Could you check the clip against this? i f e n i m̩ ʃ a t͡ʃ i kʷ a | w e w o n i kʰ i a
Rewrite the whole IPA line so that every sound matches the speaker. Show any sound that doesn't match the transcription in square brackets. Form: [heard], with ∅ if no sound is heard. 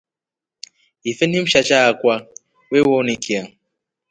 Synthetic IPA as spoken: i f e n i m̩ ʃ a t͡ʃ [a] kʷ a | w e w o n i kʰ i a